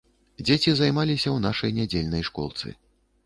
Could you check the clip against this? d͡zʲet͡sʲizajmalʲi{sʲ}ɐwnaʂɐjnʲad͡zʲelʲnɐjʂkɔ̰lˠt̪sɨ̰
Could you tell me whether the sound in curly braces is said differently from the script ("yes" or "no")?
no